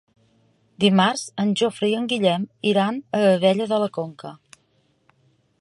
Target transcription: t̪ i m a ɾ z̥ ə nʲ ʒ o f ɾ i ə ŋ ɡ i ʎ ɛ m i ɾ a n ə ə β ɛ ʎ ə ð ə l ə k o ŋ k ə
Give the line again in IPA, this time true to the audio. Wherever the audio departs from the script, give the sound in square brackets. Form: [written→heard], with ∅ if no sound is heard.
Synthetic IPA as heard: [t̪→d̪] i m a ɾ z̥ ə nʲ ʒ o f ɾ i ə ŋ ɡ i ʎ ɛ m i ɾ a n ə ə β ɛ ʎ ə ð ə l ə k o ŋ k ə